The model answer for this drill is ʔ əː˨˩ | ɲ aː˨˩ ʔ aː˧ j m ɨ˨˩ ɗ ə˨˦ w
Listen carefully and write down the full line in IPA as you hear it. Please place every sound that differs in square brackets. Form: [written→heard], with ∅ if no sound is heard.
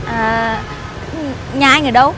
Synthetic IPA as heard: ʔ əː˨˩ | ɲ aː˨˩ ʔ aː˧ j [m→ŋ] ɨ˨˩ ɗ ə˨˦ w

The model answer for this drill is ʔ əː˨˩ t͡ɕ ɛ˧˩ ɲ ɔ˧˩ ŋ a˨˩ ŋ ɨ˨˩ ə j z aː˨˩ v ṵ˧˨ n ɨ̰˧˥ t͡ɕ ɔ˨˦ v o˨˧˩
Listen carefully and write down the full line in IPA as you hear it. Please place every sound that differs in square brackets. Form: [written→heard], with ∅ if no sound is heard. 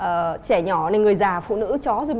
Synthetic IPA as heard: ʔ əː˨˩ t͡ɕ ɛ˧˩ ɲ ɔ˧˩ [ŋ→n] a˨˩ ŋ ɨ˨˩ ə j z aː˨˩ [v→f] ṵ˧˨ n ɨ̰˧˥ t͡ɕ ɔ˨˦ [v→z] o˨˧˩

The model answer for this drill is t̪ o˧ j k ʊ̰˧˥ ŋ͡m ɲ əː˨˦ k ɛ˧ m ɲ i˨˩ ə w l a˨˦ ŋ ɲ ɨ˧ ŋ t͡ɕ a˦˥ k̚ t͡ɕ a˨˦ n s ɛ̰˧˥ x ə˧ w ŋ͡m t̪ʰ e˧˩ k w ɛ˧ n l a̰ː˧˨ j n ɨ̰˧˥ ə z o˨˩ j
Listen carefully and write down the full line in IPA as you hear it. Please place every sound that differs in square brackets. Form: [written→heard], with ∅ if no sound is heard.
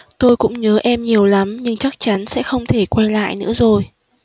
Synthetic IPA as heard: t̪ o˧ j k ʊ̰˧˥ ŋ͡m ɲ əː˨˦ [k→ʔ] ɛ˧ m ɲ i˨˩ ə w l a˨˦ [ŋ→m] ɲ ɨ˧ ŋ t͡ɕ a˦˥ k̚ t͡ɕ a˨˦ n s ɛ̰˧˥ x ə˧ w ŋ͡m t̪ʰ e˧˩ k w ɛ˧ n l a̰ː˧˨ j n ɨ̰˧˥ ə z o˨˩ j

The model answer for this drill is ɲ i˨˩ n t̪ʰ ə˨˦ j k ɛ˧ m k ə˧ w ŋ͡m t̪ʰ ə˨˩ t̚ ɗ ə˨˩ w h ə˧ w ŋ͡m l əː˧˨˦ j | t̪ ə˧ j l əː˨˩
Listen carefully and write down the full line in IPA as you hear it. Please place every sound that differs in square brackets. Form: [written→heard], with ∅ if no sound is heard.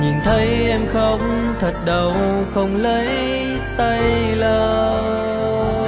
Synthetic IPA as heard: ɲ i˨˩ n t̪ʰ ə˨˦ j [k→ʔ] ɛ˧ m [k→x] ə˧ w ŋ͡m t̪ʰ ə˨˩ t̚ ɗ ə˨˩ w [h→x] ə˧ w ŋ͡m l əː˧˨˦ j | t̪ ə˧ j l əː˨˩

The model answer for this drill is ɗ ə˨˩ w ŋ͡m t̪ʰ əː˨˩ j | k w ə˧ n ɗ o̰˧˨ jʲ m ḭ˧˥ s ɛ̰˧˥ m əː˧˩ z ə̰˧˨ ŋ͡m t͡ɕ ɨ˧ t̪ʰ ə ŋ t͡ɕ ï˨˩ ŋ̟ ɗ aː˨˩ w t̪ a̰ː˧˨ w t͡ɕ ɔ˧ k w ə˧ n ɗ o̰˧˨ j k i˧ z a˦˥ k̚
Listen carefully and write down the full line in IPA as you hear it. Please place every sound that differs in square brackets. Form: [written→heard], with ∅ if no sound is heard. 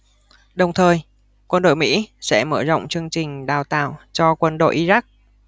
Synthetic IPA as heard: ɗ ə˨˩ w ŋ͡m t̪ʰ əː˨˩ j | k w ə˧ n ɗ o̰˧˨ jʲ m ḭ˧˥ s ɛ̰˧˥ m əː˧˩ z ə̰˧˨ ŋ͡m t͡ɕ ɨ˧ [t̪ʰ→∅] ə ŋ t͡ɕ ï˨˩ ŋ̟ ɗ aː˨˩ w t̪ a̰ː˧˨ w t͡ɕ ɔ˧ k w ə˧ n ɗ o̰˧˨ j [k→ʔ] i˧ z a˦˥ k̚

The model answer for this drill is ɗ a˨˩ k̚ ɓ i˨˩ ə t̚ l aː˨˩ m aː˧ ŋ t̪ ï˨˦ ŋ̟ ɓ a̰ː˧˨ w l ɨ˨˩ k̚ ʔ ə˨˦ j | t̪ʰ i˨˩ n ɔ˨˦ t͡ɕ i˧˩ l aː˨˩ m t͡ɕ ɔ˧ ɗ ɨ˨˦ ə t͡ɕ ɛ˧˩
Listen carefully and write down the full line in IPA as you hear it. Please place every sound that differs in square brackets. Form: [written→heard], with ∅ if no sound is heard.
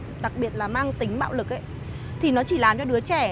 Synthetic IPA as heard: ɗ a˨˩ k̚ ɓ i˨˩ ə t̚ l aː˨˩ m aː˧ ŋ t̪ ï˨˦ ŋ̟ ɓ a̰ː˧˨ w l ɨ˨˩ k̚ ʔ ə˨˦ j | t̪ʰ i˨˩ n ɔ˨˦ t͡ɕ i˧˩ l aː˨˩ m t͡ɕ ɔ˧ ɗ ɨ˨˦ ə t͡ɕ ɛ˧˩

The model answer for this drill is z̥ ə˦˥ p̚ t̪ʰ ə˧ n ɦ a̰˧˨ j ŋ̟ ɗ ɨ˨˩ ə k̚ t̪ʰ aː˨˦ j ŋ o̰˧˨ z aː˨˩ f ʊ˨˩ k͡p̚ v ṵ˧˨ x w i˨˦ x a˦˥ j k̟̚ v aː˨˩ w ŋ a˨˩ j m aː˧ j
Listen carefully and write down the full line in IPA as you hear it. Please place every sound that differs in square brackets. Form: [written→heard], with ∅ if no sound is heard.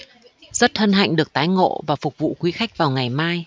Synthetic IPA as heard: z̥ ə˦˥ [p̚→t̚] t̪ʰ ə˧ n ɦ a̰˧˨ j ŋ̟ ɗ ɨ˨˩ ə k̚ [t̪ʰ→t̪] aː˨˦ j ŋ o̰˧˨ [z→v] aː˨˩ f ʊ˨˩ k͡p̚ v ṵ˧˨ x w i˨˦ x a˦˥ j k̟̚ v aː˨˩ w ŋ a˨˩ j m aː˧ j

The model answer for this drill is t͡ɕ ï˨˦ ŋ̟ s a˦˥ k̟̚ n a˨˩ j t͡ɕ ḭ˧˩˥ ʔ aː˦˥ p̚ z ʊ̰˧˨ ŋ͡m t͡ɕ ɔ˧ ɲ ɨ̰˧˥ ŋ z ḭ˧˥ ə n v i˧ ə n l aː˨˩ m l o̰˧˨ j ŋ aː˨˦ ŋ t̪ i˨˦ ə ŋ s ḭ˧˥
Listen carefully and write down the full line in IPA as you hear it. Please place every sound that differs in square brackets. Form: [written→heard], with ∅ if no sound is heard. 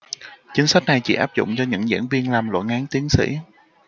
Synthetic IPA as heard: t͡ɕ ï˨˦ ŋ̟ s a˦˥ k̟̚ n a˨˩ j t͡ɕ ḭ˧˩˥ ʔ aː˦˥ p̚ z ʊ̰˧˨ ŋ͡m t͡ɕ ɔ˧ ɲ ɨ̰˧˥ ŋ z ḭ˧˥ ə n v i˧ ə n l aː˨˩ m l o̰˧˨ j ŋ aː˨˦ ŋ t̪ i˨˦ ə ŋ s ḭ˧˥

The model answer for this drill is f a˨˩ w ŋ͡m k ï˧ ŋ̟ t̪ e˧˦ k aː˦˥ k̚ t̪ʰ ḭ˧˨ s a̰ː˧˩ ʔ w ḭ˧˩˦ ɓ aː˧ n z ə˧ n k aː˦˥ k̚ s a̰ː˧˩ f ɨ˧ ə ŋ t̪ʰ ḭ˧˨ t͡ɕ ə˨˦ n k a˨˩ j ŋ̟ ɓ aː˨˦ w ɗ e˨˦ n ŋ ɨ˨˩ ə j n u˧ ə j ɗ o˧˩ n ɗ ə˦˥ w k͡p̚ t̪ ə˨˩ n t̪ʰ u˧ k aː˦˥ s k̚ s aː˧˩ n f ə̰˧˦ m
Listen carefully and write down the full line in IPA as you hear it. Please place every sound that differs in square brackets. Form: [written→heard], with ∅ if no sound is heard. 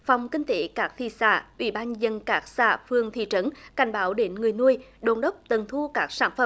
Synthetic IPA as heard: f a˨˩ w ŋ͡m k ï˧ ŋ̟ t̪ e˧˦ k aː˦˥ k̚ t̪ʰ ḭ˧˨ s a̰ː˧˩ ʔ w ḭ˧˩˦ ɓ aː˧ n z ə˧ n k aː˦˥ k̚ s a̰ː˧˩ f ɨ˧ ə ŋ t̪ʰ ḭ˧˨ t͡ɕ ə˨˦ n k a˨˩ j ŋ̟ ɓ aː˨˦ w ɗ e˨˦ n ŋ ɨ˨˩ ə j n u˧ ə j ɗ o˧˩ n ɗ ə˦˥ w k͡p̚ t̪ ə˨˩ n t̪ʰ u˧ k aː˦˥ [s→∅] k̚ s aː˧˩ n f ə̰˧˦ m

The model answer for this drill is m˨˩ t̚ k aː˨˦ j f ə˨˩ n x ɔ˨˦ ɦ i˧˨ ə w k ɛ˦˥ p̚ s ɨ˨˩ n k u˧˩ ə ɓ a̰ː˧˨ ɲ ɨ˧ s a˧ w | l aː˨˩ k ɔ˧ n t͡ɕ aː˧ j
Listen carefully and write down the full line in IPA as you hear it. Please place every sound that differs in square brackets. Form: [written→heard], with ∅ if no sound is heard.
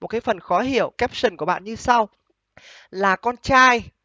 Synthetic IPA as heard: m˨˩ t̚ k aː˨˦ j f ə˨˩ n x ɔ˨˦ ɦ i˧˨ ə w k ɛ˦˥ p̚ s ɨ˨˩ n k u˧˩ ə ɓ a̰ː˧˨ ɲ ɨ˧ s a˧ w | l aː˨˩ k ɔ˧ n t͡ɕ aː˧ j

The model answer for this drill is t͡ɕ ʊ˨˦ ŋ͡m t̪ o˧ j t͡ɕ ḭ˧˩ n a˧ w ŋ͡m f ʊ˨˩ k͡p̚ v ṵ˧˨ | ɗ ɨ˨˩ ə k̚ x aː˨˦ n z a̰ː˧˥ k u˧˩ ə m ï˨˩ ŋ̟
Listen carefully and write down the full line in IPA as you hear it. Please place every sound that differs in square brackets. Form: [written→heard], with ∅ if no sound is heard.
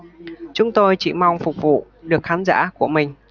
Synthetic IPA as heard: t͡ɕ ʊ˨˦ ŋ͡m t̪ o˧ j t͡ɕ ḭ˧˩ [n→m] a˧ w ŋ͡m f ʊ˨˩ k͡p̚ v ṵ˧˨ | ɗ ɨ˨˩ ə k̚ x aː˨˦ n z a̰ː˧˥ k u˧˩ ə m ï˨˩ ŋ̟

